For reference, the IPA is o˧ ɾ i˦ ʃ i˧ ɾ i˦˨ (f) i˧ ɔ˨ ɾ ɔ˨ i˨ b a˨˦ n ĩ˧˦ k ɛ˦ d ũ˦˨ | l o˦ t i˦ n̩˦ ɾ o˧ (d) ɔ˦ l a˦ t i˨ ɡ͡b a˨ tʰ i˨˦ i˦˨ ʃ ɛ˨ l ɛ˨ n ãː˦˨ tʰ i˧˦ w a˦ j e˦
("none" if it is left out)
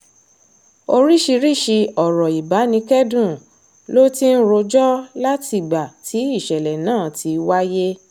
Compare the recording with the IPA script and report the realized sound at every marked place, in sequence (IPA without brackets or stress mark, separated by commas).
ʃ, d͡ʒ